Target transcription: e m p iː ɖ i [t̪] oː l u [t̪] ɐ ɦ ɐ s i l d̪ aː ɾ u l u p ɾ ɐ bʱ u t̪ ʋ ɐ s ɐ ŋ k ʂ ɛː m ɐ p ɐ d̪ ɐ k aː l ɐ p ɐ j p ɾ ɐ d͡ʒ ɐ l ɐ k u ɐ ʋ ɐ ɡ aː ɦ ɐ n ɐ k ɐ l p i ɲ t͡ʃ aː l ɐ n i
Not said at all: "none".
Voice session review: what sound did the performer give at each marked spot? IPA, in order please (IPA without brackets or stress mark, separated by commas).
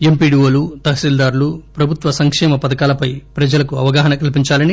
none, t̪